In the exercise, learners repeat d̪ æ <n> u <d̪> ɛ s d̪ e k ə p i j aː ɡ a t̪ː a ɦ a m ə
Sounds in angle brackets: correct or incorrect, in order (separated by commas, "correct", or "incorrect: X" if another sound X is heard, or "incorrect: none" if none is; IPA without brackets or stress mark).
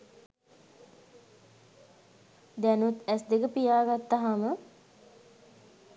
correct, incorrect: t̪